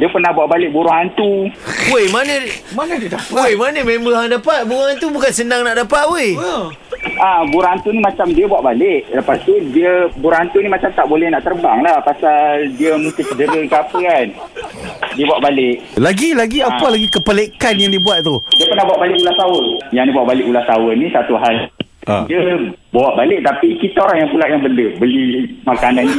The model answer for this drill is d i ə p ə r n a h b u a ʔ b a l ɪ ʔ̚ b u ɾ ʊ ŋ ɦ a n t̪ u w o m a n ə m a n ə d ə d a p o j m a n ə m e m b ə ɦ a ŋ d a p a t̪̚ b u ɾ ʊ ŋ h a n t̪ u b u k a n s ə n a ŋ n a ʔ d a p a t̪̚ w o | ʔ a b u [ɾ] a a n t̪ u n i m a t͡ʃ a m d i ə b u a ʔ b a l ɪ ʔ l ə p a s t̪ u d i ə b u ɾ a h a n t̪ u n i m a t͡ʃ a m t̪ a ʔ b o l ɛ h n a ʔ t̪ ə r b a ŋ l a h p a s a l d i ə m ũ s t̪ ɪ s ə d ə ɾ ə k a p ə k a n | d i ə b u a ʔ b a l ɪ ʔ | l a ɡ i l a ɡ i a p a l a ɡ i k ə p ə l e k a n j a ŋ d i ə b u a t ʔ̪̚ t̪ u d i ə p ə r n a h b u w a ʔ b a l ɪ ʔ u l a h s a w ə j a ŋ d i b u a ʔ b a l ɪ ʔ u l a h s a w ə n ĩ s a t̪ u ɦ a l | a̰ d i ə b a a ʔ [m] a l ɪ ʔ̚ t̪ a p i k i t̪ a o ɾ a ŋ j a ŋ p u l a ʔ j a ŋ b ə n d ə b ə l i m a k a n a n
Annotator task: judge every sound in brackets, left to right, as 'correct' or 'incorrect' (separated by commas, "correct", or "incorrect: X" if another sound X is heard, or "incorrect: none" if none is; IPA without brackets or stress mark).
correct, incorrect: b